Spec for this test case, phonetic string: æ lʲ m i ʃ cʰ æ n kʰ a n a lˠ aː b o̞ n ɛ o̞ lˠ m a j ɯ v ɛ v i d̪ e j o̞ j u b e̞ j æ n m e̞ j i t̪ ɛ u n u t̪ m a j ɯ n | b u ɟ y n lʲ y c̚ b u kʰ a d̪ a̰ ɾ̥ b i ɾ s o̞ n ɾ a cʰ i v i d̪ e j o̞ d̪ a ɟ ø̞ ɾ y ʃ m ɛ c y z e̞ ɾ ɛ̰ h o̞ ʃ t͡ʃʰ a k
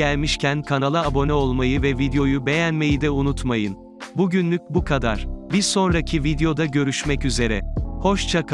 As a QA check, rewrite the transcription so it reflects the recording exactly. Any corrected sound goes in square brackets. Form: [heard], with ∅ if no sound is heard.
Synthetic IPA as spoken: æ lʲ m i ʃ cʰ æ n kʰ a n a lˠ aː b o̞ n ɛ o̞ lˠ m a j ɯ v ɛ v i d̪ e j o̞ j u b e̞ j æ n m e̞ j i [d̪] ɛ u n u t̪ m a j ɯ n | b u ɟ y n lʲ y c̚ b u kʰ a d̪ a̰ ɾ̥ b i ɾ s o̞ n ɾ a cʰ i v i d̪ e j o̞ d̪ a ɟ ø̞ ɾ y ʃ m ɛ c y z e̞ ɾ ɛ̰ h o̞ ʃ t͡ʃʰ a k